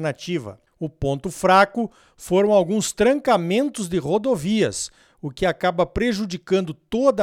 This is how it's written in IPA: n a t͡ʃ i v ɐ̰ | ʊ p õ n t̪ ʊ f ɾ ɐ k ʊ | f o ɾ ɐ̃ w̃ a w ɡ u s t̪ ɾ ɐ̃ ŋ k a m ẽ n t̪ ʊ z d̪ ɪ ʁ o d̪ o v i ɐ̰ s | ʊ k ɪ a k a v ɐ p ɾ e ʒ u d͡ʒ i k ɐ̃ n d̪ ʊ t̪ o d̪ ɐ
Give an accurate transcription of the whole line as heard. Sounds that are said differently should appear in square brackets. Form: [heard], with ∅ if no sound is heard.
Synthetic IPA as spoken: n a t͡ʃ i v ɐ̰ | ʊ p õ n t̪ ʊ f ɾ [a] k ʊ | f o ɾ ɐ̃ w̃ a w ɡ [ũ] s t̪ ɾ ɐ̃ ŋ k a m ẽ n t̪ ʊ z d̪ ɪ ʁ o d̪ o v i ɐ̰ s | ʊ k ɪ a k a [b] ɐ p ɾ e ʒ u d͡ʒ i k ɐ̃ n d̪ ʊ t̪ o d̪ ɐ